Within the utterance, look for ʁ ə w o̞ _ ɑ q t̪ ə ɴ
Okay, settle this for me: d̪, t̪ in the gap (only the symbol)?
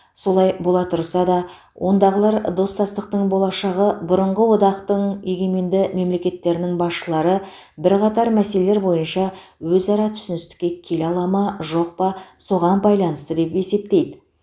d̪